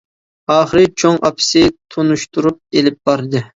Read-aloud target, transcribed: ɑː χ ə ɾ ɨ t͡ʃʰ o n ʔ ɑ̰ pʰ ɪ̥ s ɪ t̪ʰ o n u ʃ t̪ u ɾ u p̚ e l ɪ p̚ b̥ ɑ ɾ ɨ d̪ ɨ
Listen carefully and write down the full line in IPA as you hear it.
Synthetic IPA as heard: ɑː χ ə ɾ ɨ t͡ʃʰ o ŋ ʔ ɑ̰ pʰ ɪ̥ s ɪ t̪ʰ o n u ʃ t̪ u ɾ u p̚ e l ɪ p̚ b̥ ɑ ɾ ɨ d̪ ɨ